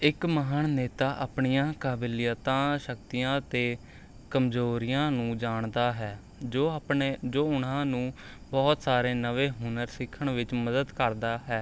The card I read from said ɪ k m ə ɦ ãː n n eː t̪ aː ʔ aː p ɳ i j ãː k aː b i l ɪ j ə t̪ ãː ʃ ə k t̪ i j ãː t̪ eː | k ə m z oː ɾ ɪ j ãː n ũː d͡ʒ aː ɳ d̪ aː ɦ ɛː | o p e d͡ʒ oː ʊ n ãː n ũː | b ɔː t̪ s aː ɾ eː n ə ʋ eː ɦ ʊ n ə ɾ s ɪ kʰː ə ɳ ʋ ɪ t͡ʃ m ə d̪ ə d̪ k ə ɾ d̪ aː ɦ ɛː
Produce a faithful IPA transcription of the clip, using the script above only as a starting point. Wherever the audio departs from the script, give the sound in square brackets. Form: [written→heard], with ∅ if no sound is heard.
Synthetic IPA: ɪ k m ə ɦ [ãː→aː] n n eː t̪ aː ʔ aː p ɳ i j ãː k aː b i l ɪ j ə t̪ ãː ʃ ə k t̪ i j ãː t̪ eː | k ə m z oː ɾ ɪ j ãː n ũː d͡ʒ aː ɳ d̪ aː ɦ ɛː | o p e d͡ʒ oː ʊ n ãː n ũː | b ɔː t̪ s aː ɾ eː n ə ʋ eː ɦ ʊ n ə ɾ s ɪ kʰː ə ɳ ʋ ɪ t͡ʃ m ə d̪ ə d̪ k ə ɾ d̪ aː ɦ ɛː